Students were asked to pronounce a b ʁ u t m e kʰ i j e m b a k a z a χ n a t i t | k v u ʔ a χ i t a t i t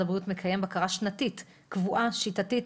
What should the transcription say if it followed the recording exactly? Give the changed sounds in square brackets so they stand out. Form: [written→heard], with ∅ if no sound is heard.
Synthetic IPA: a b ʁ u t m e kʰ [i→a] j e m b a k a [z→ʁ] a [χ→ʃ] n a t i t | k v u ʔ a [χ→ʃ] i t a t i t